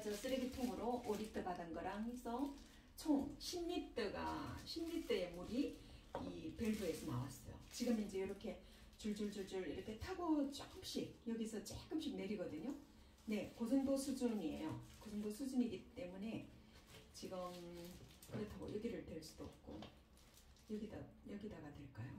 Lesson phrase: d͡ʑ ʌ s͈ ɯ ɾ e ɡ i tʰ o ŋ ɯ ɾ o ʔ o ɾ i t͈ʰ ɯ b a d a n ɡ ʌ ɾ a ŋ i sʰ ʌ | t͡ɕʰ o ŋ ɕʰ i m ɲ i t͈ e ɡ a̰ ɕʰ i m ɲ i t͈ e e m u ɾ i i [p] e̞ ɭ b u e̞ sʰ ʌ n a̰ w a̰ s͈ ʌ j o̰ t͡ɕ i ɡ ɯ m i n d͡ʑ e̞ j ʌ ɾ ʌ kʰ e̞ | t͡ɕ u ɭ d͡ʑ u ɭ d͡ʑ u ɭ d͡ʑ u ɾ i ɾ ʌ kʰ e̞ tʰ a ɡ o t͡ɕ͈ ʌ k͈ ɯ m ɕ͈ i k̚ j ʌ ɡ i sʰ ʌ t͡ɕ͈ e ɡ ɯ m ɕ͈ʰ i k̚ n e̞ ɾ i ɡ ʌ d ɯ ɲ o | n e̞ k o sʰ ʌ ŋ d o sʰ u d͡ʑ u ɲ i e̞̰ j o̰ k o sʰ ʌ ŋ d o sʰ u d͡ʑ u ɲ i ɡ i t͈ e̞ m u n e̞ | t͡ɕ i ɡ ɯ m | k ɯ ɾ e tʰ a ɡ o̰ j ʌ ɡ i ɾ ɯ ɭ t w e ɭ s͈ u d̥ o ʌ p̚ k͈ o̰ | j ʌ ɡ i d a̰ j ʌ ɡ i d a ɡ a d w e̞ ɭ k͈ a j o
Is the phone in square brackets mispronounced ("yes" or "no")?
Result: no